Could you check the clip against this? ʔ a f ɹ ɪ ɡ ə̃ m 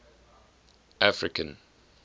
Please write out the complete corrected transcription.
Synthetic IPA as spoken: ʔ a f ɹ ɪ k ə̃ n